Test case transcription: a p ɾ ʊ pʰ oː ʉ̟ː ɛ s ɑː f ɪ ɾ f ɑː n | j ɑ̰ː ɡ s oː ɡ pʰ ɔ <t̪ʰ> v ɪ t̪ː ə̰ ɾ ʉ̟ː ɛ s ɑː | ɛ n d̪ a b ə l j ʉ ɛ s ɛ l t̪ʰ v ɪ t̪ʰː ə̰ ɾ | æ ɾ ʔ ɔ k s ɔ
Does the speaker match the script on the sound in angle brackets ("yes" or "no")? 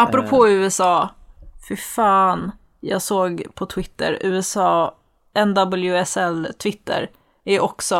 yes